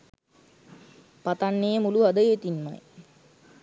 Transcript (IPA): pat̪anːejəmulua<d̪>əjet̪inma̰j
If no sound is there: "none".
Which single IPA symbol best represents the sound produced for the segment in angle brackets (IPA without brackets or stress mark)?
d̪